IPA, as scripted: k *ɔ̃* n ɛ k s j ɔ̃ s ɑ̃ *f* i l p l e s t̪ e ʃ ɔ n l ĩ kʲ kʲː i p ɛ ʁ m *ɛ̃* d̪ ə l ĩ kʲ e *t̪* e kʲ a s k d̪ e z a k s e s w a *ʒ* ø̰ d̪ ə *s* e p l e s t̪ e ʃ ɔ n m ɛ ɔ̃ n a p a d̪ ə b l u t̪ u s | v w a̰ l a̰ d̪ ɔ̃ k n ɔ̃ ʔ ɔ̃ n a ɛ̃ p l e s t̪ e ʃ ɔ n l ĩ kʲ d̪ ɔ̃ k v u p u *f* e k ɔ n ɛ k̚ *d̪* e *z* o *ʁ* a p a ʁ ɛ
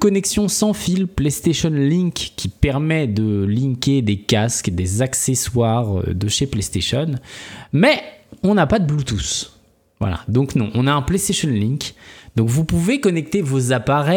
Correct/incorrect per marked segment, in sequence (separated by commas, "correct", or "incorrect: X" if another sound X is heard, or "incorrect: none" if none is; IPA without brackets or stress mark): incorrect: ɔ, correct, incorrect: ɛ, incorrect: d̪, incorrect: ʁ, incorrect: ʃ, incorrect: v, incorrect: t̪, incorrect: v, incorrect: z